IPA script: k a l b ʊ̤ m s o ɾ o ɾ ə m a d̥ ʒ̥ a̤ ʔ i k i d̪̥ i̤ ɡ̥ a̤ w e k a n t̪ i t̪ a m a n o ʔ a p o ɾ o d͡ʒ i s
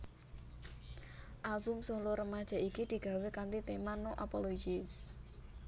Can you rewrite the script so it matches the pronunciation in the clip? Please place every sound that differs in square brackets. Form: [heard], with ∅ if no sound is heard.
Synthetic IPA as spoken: [ʔ] a l b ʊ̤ m s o [l] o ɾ ə m a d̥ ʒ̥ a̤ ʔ i k i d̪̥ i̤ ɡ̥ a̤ w e k a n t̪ i t̪ [e] m a n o ʔ a p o [l] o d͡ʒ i s